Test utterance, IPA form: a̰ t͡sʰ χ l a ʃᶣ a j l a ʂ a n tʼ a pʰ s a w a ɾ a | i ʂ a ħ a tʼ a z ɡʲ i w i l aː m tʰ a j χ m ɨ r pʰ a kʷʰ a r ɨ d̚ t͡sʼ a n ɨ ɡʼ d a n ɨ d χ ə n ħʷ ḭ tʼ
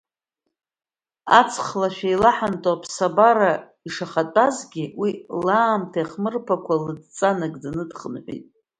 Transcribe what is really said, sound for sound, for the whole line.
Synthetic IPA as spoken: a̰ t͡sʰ χ l a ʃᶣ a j l a ħ a n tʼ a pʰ s a b a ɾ a | i ʂ a χ a tʼ a z ɡʲ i w i l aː m tʰ a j χ m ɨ r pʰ a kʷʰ a l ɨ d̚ t͡sʼ a n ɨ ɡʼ d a n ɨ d χ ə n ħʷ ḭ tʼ